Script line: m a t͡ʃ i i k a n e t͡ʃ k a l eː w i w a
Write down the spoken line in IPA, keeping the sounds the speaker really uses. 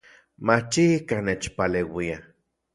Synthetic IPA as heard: m a t͡ʃ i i k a n e t͡ʃ p a l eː w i a